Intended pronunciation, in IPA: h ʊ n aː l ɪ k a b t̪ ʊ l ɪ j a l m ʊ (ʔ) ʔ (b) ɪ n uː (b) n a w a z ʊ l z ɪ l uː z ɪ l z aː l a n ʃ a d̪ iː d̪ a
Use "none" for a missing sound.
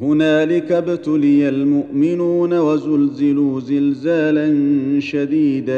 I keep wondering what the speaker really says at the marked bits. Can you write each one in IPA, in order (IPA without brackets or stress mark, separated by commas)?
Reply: ʔ, m, none